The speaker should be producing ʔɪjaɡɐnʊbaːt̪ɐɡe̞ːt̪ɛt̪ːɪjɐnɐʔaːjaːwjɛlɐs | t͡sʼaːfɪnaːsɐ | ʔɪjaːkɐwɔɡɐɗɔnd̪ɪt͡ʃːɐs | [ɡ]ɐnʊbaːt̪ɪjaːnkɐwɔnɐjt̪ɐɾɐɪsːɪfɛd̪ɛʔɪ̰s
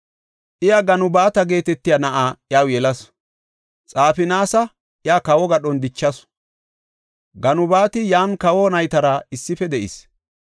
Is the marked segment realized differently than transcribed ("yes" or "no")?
no